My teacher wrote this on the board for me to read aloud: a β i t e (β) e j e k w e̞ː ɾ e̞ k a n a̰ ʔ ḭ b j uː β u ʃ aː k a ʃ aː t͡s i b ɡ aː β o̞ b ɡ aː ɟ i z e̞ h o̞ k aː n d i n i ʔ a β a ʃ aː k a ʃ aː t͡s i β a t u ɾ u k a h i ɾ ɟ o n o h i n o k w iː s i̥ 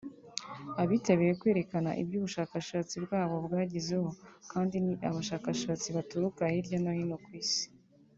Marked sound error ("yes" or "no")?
no